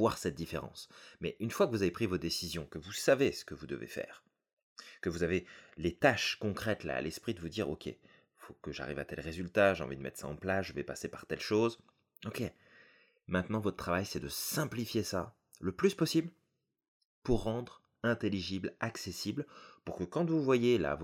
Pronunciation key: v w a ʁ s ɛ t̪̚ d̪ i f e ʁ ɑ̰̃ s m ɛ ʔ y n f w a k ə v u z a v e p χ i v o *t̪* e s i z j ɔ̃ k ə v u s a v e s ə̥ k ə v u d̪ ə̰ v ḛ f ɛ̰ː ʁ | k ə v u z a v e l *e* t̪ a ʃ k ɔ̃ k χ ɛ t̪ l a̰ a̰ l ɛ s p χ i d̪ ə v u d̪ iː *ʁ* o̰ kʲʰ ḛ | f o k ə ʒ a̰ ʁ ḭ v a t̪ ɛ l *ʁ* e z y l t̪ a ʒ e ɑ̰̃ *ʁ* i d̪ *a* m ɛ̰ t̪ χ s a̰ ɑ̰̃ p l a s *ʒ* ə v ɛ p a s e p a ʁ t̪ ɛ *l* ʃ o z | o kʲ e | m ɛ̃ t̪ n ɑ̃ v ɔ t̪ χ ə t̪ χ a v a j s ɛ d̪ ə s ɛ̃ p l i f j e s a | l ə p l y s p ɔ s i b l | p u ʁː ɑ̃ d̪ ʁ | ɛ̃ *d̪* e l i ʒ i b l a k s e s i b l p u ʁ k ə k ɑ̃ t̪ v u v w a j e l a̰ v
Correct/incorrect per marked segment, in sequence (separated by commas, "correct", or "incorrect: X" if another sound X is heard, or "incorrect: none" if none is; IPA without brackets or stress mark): incorrect: d̪, correct, correct, correct, incorrect: v, incorrect: ə, correct, correct, incorrect: t̪